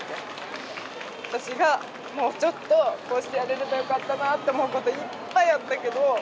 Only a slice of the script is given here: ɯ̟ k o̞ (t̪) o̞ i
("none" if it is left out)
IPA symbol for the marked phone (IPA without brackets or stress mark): t̪